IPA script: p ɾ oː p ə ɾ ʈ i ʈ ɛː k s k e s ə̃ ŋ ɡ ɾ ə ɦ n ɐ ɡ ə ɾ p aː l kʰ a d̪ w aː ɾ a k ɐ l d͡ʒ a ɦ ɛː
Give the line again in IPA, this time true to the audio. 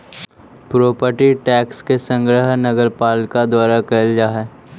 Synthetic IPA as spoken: p ɾ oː p ə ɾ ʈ i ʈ ɛː k s k e s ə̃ ŋ ɡ ɾ ə ɦ n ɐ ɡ ə ɾ p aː l k a d̪ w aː ɾ a k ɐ l d͡ʒ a ɦ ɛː